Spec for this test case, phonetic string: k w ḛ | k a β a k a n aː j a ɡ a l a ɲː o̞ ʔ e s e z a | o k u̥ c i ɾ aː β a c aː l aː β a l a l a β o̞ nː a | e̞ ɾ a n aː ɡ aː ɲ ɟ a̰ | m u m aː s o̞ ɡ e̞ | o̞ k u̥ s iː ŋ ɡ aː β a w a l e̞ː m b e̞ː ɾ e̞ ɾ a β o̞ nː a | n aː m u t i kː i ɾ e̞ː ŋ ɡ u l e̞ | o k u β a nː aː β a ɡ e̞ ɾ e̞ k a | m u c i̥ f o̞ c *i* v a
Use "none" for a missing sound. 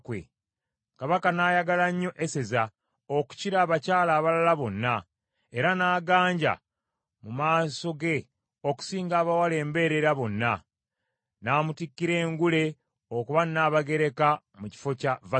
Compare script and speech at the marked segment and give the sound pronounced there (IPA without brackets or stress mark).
a